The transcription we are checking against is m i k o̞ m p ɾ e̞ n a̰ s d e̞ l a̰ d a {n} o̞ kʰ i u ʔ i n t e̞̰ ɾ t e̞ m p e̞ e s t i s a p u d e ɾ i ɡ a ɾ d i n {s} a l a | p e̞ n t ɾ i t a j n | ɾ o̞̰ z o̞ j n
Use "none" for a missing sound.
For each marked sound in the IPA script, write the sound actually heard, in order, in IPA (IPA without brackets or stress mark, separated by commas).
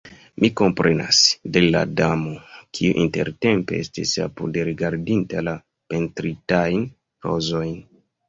m, t